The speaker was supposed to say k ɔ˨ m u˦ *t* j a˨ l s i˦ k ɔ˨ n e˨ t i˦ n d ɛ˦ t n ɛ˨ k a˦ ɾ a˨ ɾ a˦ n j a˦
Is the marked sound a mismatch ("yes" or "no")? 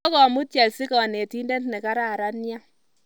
no